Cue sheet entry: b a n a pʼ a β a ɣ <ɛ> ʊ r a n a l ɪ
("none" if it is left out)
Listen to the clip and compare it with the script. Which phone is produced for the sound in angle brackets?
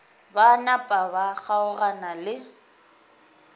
a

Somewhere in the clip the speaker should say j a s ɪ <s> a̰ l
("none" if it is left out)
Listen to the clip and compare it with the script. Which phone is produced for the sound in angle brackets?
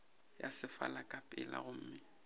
f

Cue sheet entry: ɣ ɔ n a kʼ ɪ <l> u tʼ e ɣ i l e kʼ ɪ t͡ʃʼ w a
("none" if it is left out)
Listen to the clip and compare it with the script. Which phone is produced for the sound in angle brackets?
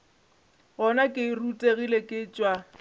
r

